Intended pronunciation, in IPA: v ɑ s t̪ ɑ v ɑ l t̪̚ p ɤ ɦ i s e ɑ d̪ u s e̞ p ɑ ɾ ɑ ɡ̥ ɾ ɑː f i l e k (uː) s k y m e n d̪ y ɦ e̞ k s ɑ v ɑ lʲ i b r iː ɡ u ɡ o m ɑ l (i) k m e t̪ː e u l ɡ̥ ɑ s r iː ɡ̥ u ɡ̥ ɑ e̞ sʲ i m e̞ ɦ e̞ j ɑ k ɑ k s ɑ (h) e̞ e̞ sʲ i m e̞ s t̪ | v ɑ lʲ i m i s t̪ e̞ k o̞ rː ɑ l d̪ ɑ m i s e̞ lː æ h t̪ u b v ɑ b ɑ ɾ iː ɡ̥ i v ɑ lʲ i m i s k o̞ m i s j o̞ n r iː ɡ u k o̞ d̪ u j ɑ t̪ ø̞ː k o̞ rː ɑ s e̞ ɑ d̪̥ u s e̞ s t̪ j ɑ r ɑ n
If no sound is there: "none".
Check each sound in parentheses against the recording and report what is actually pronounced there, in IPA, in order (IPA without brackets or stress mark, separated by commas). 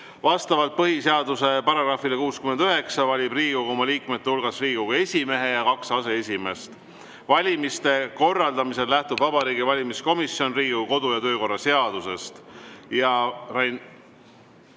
uː, iː, s